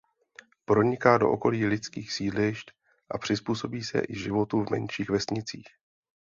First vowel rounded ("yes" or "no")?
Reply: yes